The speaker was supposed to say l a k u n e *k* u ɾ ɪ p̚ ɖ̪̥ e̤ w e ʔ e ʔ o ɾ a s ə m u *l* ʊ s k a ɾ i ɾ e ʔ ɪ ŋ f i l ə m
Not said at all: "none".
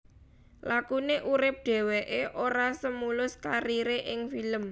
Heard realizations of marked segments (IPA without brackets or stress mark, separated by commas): ʔ, l